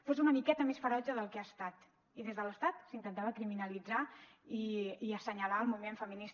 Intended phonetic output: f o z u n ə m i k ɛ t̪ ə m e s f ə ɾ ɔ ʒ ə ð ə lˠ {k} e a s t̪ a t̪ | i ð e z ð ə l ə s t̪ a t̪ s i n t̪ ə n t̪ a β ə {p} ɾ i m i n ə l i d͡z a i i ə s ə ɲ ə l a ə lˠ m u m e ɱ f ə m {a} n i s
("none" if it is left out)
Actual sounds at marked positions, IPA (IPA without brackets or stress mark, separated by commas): k, k, i